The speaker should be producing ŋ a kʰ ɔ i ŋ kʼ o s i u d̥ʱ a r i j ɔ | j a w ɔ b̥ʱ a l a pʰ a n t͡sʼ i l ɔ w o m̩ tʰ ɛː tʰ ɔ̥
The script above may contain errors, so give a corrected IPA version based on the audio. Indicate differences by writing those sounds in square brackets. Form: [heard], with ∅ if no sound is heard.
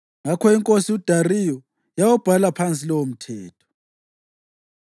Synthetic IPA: ŋ a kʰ ɔ i ŋ kʼ o s i u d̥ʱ a r i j ɔ | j a w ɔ b̥ʱ a l a pʰ a n t͡sʼ i l ɔ w o m̩ tʰ ɛː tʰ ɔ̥